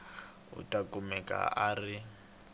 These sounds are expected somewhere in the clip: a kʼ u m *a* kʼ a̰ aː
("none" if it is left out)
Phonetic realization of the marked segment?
ɛ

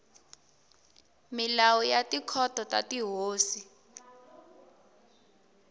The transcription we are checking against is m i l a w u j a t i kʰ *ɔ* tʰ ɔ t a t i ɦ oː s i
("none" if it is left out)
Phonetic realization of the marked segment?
ɔ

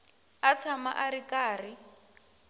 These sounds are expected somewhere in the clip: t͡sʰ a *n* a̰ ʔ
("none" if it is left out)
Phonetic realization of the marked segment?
m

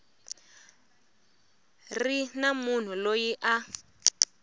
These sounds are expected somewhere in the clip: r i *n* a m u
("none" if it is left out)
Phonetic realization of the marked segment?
n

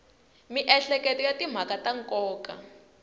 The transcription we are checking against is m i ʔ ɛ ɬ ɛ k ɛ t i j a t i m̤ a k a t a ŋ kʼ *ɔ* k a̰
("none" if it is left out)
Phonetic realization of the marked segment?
ɔː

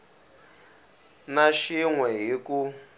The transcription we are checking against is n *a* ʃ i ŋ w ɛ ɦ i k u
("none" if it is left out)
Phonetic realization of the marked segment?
a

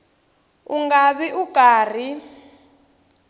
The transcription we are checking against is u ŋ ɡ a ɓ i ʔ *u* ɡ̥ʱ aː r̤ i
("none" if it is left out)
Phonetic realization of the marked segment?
u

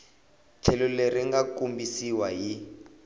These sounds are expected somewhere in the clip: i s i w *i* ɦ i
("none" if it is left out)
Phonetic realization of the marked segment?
a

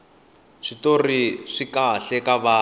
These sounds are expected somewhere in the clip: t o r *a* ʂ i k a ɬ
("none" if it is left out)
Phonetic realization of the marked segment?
i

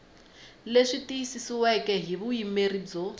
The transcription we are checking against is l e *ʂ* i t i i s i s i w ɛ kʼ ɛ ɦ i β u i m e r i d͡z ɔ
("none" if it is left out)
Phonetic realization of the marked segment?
ʂ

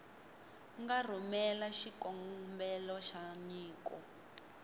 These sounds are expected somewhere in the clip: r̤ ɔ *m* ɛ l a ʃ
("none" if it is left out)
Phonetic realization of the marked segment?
m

